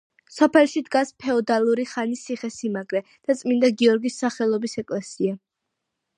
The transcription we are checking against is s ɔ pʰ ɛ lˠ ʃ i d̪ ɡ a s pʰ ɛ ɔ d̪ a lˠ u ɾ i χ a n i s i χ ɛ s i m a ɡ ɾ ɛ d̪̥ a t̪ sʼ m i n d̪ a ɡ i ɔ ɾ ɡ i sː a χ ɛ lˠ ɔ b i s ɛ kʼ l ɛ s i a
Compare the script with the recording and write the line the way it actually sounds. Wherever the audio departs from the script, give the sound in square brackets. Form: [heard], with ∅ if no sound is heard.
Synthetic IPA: s ɔ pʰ ɛ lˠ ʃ i d̪ ɡ a s pʰ ɛ ɔ d̪ a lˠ u ɾ i χ a n i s i χ ɛ s i m a ɡ ɾ ɛ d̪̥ a t̪ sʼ m i n d̪ a ɡ i ɔ ɾ ɡ i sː a χ ɛ lˠ ɔ b i s ɛ kʼ l ɛ s i a